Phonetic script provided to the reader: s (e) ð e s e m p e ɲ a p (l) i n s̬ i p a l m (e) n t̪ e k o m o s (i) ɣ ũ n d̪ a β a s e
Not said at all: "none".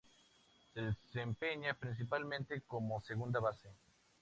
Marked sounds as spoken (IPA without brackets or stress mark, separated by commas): e, ɾ, ẽ, e